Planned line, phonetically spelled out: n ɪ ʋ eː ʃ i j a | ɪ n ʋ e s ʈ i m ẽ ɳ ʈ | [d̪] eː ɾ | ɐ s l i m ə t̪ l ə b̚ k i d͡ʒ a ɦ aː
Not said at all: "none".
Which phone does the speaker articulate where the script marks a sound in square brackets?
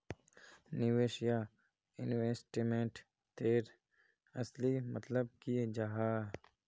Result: t̪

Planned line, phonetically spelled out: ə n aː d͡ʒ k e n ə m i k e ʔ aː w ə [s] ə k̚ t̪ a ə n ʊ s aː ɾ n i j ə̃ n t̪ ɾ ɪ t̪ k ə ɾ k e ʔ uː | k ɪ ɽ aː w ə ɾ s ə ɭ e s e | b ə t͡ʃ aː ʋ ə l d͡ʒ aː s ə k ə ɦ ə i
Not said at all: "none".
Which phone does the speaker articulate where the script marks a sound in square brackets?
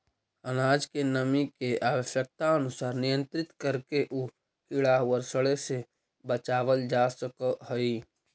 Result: ʃ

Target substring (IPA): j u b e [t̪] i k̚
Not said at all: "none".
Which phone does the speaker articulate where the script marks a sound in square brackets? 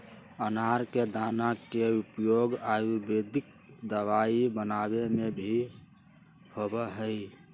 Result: d̪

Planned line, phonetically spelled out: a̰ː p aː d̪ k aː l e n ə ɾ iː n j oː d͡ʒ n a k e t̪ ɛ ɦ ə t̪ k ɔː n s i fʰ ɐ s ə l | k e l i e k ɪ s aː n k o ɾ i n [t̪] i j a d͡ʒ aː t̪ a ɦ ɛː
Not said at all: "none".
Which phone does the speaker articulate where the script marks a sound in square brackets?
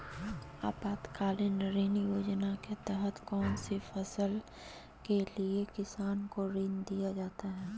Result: d̪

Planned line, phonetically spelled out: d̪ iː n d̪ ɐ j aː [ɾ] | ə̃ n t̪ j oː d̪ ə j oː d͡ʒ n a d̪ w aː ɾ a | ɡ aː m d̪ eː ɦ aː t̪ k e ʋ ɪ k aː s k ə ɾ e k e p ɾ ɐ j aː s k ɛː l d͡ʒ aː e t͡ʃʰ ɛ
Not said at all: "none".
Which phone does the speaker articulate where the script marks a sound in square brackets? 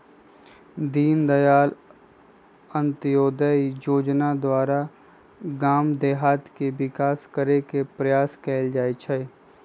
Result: l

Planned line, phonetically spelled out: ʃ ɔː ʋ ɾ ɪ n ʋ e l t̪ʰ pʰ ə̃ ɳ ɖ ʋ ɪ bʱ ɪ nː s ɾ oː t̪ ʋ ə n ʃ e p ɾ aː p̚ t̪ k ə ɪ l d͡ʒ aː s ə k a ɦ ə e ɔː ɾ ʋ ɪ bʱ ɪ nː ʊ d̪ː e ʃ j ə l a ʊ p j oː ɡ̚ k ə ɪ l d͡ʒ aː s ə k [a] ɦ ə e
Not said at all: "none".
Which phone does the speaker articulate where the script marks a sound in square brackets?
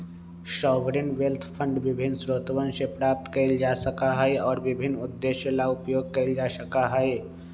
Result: a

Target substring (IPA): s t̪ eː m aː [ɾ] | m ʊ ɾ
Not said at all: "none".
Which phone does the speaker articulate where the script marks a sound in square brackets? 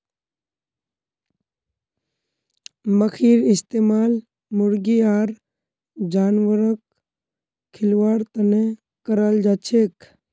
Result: l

